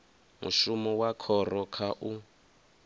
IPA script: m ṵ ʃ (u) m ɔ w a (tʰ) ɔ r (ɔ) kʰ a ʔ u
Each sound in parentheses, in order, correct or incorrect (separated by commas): correct, incorrect, correct